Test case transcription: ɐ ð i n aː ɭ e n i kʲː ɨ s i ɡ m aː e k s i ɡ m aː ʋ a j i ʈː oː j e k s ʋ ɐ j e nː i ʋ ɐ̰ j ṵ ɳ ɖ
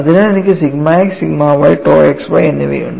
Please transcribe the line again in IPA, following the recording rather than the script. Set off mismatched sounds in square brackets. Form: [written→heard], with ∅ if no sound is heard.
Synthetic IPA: ɐ ð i n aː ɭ e n i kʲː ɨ s i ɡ m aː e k s i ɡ m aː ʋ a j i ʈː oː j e k s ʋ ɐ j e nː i ʋ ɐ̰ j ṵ ɳ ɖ

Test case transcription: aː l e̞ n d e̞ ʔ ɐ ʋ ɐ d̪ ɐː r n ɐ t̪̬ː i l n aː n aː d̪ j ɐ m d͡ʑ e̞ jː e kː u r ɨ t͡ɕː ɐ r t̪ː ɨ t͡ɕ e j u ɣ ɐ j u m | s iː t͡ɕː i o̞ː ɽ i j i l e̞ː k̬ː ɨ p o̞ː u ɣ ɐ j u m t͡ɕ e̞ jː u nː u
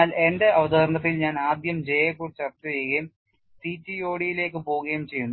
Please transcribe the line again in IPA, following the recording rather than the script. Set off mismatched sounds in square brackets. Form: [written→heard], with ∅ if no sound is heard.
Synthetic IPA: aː l e̞ n d e̞ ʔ ɐ ʋ ɐ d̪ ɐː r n ɐ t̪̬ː i l [n→ɲ] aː n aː d̪ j ɐ m d͡ʑ e̞ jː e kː u r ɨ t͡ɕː ɐ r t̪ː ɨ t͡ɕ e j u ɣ ɐ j u m | s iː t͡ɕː i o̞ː ɽ i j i l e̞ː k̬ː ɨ p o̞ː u ɣ ɐ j u m t͡ɕ e̞ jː u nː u

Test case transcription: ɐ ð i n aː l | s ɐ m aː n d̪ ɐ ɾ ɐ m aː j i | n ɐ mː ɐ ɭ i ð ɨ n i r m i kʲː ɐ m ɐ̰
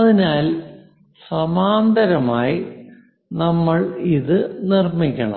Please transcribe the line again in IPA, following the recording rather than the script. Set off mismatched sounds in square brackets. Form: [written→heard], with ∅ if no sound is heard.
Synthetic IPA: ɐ ð i n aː l | s ɐ m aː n d̪ ɐ ɾ ɐ m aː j i | n ɐ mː ɐ ɭ i ð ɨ n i r m i kʲː ɐ [m→ɳ] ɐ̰

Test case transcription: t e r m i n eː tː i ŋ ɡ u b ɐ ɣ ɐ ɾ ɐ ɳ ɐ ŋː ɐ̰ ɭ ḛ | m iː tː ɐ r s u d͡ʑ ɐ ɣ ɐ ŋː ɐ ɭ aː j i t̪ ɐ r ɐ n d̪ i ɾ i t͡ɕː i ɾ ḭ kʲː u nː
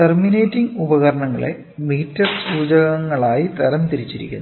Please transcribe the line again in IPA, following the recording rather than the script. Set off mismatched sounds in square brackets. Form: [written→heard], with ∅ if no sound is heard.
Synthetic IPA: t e r m i n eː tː i ŋ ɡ u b ɐ ɣ ɐ ɾ ɐ ɳ ɐ ŋː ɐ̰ ɭ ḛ | m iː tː ɐ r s [u→uː] d͡ʑ ɐ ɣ ɐ ŋː ɐ ɭ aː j i t̪ ɐ [r→ɾ] ɐ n [d̪→t̪] i ɾ i t͡ɕː i ɾ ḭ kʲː u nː

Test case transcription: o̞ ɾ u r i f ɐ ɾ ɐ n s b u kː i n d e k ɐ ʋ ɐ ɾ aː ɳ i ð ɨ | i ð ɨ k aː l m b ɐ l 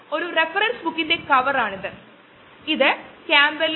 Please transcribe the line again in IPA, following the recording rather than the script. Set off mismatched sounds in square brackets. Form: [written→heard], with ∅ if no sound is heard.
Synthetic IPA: o̞ ɾ u r [i→e] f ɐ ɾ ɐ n s b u kː i n d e k ɐ ʋ ɐ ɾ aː ɳ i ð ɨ | i ð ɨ k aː [l→∅] m b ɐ l

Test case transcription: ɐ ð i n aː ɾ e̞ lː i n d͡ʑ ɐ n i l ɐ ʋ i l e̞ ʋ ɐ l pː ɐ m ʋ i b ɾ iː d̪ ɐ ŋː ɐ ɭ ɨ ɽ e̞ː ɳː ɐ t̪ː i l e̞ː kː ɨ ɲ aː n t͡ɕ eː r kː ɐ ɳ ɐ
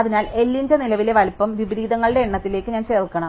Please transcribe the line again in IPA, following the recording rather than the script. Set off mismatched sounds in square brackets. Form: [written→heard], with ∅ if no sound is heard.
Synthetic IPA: ɐ ð i n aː [ɾ→l] e̞ lː i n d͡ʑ ɐ n i l ɐ ʋ i l e̞ ʋ ɐ l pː ɐ m ʋ i b ɾ iː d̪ ɐ ŋː ɐ ɭ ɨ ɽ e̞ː ɳː ɐ t̪ː i l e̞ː kː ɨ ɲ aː n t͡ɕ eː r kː ɐ ɳ ɐ

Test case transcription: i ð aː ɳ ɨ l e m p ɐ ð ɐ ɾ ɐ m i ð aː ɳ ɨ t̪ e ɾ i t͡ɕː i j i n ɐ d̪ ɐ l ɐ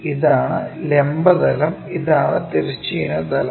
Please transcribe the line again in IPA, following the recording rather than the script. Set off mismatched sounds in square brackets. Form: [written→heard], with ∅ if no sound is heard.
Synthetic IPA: i ð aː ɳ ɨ l e m [p→b] ɐ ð ɐ [ɾ→l] ɐ m i ð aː ɳ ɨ t̪ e ɾ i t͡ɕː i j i n ɐ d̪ ɐ l ɐ

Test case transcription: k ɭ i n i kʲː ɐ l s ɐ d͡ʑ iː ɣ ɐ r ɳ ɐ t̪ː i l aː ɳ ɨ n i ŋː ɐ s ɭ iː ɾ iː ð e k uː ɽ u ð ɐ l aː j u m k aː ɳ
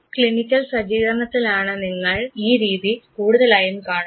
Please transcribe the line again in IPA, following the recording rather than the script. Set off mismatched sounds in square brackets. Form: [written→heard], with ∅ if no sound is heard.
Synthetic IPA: k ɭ i n i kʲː ɐ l s ɐ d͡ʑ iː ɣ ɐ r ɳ ɐ t̪ː i l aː ɳ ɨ n i ŋː ɐ [s→∅] ɭ iː ɾ iː ð [e→i] k uː ɽ u ð ɐ l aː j u m k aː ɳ

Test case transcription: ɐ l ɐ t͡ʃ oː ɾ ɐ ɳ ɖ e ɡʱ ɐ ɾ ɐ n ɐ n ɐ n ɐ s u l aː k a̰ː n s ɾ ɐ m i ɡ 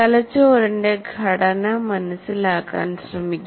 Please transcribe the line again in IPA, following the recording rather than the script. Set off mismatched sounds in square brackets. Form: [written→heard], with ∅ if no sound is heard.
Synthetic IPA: ɐ l ɐ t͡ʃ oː ɾ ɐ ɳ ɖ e ɡʱ ɐ [ɾ→ɽ] ɐ n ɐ [n→m] ɐ n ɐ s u l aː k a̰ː n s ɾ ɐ m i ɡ

